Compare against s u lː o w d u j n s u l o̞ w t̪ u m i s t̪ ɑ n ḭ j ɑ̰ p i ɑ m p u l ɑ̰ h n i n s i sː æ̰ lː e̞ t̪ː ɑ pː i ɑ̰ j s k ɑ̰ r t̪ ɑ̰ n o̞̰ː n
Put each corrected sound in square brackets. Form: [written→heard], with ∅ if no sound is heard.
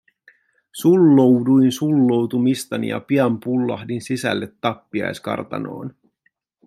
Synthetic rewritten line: s u lː o w d u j n s u [l→lː] o̞ w t̪ u m i s t̪ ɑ n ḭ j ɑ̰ p i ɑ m p u [l→lː] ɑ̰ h [n→d] i n s i [sː→s] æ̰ lː e̞ t̪ː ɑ pː i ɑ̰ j s k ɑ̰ r t̪ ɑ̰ n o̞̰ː n